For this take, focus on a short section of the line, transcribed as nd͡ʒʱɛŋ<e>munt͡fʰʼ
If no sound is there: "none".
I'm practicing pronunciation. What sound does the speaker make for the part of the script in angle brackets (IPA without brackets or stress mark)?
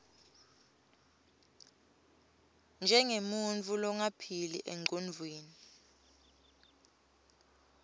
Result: e